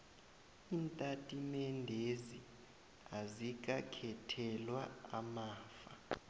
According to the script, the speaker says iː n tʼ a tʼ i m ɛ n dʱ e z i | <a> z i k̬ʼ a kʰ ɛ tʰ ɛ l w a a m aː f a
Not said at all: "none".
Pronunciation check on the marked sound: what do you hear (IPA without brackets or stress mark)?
a